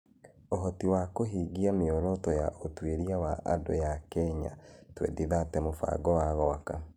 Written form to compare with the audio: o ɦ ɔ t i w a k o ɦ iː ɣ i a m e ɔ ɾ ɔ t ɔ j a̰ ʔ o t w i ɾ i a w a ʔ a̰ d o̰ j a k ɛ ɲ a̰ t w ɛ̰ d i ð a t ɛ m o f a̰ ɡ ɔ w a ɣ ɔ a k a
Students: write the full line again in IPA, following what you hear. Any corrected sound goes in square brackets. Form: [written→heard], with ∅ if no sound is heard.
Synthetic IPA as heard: o ɦ ɔ t i w a k o ɦ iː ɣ i a m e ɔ ɾ ɔ t ɔ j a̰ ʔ o t w [i→e] ɾ i a w a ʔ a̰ d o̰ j a k ɛ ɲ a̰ t w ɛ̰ d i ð a t ɛ m o f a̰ ɡ ɔ w a ɣ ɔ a k a